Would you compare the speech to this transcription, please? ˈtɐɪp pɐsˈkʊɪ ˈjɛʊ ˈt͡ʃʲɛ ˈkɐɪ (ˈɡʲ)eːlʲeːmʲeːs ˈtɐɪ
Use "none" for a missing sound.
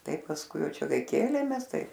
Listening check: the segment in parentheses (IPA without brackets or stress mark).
kʲ